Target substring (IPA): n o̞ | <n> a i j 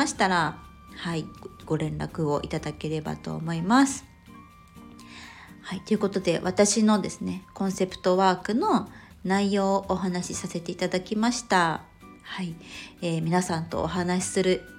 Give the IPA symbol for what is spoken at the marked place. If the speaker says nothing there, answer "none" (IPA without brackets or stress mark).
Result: n